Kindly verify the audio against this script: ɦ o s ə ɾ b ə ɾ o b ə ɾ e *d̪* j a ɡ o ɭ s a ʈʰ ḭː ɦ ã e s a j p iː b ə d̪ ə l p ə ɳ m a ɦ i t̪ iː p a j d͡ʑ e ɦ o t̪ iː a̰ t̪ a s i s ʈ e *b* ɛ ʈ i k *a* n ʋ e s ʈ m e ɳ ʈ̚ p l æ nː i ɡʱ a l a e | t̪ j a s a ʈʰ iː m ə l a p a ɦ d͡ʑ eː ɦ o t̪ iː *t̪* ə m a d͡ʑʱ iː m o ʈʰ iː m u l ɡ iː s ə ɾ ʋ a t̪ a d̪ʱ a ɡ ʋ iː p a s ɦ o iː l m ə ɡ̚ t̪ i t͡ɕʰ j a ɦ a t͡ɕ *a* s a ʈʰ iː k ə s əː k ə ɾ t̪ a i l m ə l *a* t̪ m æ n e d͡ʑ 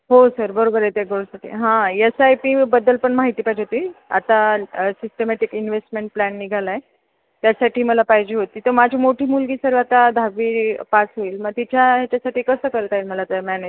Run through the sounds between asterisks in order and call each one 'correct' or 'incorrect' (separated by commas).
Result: incorrect, incorrect, incorrect, correct, correct, correct